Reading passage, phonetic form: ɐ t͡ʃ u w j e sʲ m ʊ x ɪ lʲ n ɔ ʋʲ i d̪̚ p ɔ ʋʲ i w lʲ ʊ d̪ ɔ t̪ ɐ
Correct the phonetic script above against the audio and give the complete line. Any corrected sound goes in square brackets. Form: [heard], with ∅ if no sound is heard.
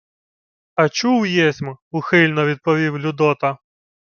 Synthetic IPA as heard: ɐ t͡ʃ u w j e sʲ m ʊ x ɪ lʲ n ɔ ʋʲ i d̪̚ p ɔ ʋʲ i w lʲ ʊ d̪ ɔ t̪ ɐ

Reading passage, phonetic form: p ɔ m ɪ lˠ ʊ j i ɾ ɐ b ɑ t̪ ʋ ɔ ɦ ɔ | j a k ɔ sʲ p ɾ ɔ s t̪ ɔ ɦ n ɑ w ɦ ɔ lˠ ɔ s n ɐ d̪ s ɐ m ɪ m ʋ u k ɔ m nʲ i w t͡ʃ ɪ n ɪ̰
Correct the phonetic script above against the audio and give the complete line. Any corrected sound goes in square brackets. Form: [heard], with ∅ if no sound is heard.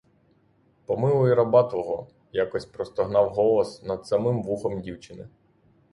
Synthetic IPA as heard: p ɔ m ɪ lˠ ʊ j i ɾ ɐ b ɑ t̪ ʋ ɔ ɦ ɔ | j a k ɔ sʲ p ɾ ɔ s t̪ ɔ ɦ n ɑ w ɦ ɔ lˠ ɔ s n ɐ d̪ s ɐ m ɪ m ʋ u [x] ɔ m [dʲ] i w t͡ʃ ɪ n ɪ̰

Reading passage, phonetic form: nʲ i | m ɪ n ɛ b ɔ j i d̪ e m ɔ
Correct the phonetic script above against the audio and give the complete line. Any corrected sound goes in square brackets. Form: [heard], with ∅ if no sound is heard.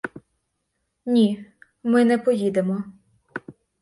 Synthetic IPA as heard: nʲ i | m ɪ n ɛ [p] ɔ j i d̪ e m ɔ

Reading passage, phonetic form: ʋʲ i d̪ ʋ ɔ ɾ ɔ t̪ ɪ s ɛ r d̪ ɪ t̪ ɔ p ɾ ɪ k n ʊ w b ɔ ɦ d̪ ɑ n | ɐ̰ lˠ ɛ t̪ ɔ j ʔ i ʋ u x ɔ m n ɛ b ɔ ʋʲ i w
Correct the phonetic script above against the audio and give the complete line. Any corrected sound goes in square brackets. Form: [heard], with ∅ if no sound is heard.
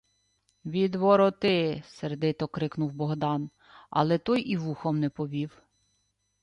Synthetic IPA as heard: ʋʲ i d̪ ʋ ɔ ɾ ɔ t̪ ɪ s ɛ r d̪ ɪ t̪ ɔ [k] ɾ ɪ k n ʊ w b ɔ ɦ d̪ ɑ n | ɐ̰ lˠ ɛ t̪ ɔ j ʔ i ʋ u x ɔ m n ɛ [p] ɔ ʋʲ i w

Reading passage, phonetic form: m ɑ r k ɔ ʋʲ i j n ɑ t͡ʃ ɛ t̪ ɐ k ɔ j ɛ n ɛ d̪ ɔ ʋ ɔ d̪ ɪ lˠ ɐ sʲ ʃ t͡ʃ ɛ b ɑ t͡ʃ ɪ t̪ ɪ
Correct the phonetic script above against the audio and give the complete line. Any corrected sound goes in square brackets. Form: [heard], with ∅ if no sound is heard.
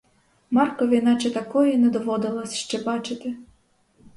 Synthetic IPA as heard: m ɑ r k ɔ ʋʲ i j n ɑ t͡ʃ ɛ t̪ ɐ k ɔ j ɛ n ɛ d̪ ɔ ʋ ɔ d̪ ɪ lˠ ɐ sʲ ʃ t͡ʃ ɛ b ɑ t͡ʃ ɪ t̪ ɪ

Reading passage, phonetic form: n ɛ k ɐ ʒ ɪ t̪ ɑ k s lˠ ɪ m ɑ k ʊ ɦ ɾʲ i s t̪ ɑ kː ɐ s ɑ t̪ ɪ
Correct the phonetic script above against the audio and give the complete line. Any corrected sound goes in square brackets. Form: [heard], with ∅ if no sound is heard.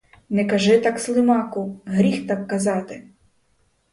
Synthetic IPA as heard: n ɛ k ɐ ʒ ɪ t̪ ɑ k s lˠ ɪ m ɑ k ʊ ɦ ɾʲ i [x] t̪ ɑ kː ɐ [z] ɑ t̪ ɪ

